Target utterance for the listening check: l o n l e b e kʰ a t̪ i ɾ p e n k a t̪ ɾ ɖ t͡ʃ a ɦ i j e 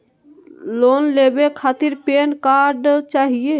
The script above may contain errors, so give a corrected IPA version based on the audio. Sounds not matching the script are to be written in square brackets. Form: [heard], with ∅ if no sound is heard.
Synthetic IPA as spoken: l o n l e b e kʰ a t̪ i ɾ p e n k a [∅] ɾ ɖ t͡ʃ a ɦ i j e